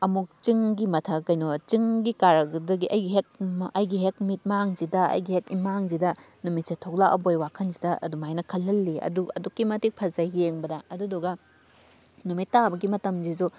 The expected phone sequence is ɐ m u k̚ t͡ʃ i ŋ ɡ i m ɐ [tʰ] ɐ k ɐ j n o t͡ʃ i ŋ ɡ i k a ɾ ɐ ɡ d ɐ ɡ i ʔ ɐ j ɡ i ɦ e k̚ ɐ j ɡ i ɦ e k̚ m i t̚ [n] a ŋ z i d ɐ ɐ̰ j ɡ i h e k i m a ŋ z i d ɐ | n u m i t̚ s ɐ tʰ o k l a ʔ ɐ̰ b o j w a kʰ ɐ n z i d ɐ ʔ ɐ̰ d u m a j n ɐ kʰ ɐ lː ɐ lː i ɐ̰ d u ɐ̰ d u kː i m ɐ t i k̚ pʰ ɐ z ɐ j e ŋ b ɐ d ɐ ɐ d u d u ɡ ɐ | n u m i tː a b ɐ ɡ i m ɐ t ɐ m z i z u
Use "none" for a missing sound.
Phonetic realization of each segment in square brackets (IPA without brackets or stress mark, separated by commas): tʰ, m